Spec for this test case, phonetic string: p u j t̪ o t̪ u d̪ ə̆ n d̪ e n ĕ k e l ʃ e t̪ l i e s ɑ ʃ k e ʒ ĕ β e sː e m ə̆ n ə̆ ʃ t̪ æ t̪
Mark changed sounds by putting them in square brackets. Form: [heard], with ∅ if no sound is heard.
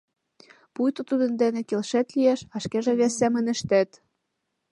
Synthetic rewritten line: p u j t̪ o t̪ u d̪ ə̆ n d̪ e n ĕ k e l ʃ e t̪ l i e [ʃ] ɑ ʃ k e ʒ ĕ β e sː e m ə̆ n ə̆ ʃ t̪ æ t̪